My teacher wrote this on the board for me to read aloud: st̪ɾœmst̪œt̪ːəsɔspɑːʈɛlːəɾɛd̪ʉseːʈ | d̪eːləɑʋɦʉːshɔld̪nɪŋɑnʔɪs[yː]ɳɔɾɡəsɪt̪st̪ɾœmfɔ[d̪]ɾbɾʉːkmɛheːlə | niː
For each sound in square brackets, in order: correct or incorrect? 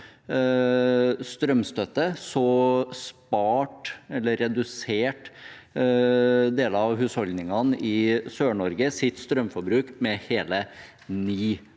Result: incorrect: øː, incorrect: none

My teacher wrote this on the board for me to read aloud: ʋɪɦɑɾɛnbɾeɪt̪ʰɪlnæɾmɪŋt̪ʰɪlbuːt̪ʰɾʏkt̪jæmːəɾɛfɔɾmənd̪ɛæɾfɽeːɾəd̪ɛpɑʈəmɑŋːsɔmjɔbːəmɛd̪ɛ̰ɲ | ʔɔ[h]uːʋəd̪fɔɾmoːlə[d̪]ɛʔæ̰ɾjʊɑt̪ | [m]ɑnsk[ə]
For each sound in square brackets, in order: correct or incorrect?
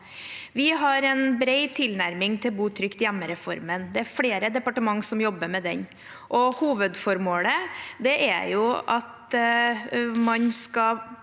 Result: correct, correct, correct, incorrect: ɑ

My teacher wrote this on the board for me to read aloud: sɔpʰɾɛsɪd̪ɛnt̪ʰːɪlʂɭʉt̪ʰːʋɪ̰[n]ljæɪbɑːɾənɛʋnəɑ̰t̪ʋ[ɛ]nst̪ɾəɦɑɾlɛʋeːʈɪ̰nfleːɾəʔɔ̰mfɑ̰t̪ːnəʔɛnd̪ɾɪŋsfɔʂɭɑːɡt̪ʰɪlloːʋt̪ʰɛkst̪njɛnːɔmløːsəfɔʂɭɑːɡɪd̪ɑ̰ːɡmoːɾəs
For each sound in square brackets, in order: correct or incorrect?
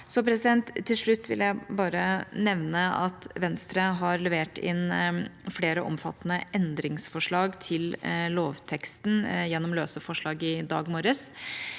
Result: incorrect: none, correct

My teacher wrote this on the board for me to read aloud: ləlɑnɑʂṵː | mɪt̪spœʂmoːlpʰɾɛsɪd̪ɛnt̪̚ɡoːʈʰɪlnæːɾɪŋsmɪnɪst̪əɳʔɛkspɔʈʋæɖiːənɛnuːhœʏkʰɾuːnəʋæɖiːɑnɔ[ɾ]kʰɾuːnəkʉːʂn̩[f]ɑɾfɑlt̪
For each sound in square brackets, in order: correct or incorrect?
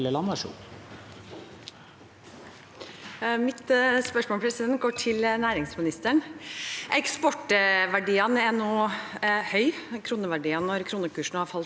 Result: correct, incorrect: h

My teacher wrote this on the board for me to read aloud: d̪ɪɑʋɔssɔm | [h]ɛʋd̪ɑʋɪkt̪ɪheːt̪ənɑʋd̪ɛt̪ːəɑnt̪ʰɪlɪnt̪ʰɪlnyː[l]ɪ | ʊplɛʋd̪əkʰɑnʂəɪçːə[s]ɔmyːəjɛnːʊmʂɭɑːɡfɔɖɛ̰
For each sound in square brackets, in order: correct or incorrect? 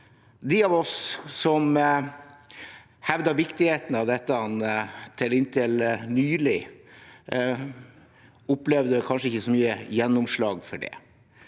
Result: correct, correct, correct

